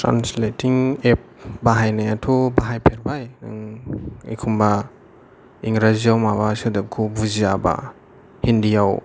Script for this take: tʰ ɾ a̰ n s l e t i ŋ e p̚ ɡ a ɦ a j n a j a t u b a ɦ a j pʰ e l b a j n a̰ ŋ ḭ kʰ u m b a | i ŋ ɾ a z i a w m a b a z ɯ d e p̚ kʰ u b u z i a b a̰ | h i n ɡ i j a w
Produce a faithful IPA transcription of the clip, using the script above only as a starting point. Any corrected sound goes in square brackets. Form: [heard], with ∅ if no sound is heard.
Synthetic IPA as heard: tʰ ɾ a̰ n s l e t i ŋ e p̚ [b] a ɦ a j n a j a [tʰ] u b a ɦ a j pʰ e [ɾ] b a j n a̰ ŋ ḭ kʰ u m b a | i ŋ ɾ a z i a w m a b a [s] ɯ d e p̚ kʰ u b u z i a b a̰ | h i n [d] i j a w